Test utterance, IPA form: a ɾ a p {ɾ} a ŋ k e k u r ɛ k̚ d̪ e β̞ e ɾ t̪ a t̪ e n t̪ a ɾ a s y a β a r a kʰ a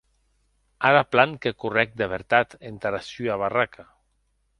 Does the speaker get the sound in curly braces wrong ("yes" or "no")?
yes